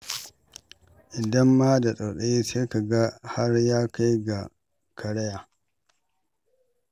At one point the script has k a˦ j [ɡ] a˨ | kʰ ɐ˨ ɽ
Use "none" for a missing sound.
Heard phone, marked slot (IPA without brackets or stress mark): ɡ